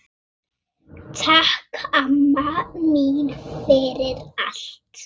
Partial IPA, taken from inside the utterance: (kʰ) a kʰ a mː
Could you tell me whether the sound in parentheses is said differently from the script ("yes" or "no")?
yes